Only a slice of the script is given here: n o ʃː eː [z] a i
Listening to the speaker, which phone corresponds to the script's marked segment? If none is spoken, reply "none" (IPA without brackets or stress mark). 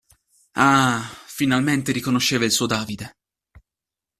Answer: v